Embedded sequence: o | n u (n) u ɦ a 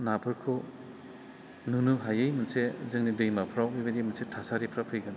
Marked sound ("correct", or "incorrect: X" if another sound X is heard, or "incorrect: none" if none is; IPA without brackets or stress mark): correct